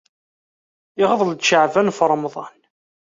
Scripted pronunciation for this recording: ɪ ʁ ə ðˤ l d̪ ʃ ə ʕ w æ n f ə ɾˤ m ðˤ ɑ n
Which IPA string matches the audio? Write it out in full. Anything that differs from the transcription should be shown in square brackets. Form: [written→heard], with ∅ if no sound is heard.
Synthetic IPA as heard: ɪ ʁ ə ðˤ l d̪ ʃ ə ʕ [w→v] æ n f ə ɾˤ m ðˤ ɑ n